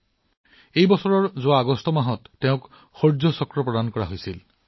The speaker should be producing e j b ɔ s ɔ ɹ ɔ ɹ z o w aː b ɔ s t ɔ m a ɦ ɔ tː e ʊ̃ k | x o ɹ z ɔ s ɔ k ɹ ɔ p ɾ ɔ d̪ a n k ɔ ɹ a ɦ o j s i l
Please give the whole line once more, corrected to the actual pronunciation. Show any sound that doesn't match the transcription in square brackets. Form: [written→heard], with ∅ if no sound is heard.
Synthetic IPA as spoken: e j b ɔ s ɔ ɹ ɔ ɹ z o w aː [b→ɡ] ɔ s t ɔ m a ɦ ɔ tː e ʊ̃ k | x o ɹ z ɔ s ɔ k ɹ ɔ p [ɾ→ɹ] ɔ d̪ a n k ɔ ɹ a ɦ o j s i l